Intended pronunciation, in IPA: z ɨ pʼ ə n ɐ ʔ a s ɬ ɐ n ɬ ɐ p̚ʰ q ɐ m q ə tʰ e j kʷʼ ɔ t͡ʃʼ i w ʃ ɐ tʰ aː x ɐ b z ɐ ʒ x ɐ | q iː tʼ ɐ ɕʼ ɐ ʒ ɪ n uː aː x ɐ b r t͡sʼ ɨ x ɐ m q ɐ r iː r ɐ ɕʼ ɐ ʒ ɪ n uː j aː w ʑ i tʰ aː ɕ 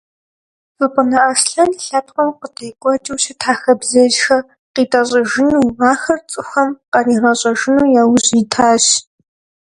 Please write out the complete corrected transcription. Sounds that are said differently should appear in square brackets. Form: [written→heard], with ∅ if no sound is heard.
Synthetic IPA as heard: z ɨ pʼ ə n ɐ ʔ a s ɬ ɐ n ɬ ɐ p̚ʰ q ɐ m q ə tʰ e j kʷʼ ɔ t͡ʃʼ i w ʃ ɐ tʰ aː x ɐ b z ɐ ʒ x ɐ | q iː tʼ ɐ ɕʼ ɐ ʒ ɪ n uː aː x ɐ [b→∅] r t͡sʼ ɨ x ɐ m q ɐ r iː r ɐ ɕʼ ɐ ʒ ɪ n uː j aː w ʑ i tʰ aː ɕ

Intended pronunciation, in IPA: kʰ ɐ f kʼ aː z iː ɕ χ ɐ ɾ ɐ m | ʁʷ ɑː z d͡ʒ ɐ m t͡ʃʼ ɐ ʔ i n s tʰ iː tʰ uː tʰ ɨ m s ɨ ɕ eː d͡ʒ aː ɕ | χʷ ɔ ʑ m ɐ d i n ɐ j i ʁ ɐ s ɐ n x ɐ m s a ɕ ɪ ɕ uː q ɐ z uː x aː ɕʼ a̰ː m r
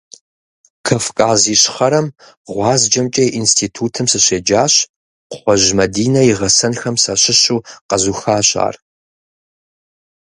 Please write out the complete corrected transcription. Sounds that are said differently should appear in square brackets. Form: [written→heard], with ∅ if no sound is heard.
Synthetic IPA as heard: kʰ ɐ f kʼ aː z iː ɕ χ ɐ ɾ ɐ m | ʁʷ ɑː z d͡ʒ ɐ m t͡ʃʼ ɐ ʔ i n s tʰ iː tʰ uː tʰ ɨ m s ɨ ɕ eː d͡ʒ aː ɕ | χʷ ɔ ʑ m ɐ d [i→iː] n ɐ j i ʁ ɐ s ɐ n x ɐ m s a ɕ ɪ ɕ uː q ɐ z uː x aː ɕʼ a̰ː [m→∅] r

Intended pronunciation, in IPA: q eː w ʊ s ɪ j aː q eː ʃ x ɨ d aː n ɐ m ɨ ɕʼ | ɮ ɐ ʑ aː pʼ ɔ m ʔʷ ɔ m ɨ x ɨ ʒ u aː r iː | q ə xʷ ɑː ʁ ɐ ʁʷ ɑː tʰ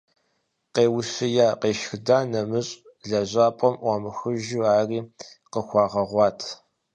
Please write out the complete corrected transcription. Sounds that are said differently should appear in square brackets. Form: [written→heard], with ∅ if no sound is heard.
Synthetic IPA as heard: q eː w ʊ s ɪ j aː q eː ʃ x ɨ d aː n ɐ m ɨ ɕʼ | ɮ ɐ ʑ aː pʼ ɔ m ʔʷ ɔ m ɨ x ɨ ʒ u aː r iː | q ə xʷ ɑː ʁ ɐ ʁʷ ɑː tʰ

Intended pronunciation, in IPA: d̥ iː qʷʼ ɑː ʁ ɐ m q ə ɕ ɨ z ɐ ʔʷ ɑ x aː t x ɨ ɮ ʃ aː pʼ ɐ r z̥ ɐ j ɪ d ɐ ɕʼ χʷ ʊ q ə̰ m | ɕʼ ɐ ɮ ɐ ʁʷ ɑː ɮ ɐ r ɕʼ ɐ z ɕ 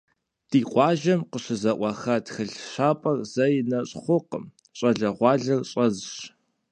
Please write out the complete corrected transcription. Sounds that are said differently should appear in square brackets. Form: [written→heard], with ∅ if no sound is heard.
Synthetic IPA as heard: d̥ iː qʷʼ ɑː [ʁ→ʒ] ɐ m q ə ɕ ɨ z ɐ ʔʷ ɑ x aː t x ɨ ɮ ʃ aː pʼ ɐ r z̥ ɐ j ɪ [d→n] ɐ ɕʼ χʷ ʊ q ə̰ m | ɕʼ ɐ ɮ ɐ ʁʷ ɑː ɮ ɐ r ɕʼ ɐ z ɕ

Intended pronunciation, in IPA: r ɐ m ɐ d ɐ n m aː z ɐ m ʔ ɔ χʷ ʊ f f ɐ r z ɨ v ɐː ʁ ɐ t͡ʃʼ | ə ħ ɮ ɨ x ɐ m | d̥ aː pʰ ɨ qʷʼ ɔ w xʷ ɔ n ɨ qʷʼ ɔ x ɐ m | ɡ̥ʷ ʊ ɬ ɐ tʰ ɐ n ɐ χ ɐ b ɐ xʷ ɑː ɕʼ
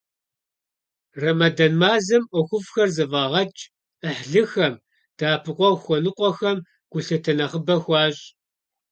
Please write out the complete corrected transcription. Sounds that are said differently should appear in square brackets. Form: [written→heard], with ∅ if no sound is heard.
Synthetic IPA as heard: r ɐ m ɐ d ɐ n m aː z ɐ m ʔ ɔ [χʷ→xʷ] ʊ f [f→x] ɐ r z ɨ v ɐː ʁ ɐ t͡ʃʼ | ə ħ ɮ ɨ x ɐ m | d̥ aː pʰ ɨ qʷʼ ɔ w xʷ ɔ n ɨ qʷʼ ɔ x ɐ m | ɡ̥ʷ ʊ ɬ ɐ tʰ ɐ n ɐ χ [ɐ→ə] b ɐ xʷ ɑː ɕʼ

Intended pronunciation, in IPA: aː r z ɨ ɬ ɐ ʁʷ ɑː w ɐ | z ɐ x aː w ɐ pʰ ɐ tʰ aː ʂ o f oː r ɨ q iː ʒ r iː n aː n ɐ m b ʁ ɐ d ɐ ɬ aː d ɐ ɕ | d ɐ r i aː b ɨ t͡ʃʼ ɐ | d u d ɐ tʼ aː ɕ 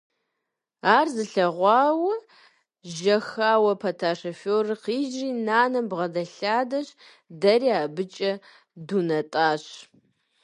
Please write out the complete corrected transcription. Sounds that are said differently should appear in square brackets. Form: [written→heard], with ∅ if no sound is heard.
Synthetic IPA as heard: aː r z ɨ ɬ ɐ ʁʷ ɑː w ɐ | [z→ʒ] ɐ x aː w ɐ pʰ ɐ tʰ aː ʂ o f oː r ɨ q iː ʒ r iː n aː n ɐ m b ʁ ɐ d ɐ ɬ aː d ɐ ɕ | d ɐ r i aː b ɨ t͡ʃʼ ɐ | d u [d→n] ɐ tʼ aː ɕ

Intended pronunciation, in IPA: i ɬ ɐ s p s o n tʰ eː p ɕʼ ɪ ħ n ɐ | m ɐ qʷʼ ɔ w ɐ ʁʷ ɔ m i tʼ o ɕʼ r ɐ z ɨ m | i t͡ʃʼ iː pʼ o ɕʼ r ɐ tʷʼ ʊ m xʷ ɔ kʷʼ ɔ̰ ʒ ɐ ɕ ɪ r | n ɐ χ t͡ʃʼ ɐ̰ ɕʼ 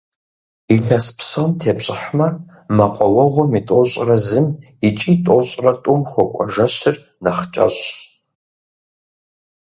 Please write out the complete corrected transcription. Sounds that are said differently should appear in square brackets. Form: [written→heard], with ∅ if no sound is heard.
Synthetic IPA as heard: i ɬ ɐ s p s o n tʰ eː p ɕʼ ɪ ħ [n→m] ɐ | m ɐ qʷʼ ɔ w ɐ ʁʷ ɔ m i tʼ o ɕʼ r ɐ z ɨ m | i t͡ʃʼ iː [pʼ→tʼ] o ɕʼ r ɐ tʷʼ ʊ m xʷ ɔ kʷʼ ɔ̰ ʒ ɐ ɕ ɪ r | n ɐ χ t͡ʃʼ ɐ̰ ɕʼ

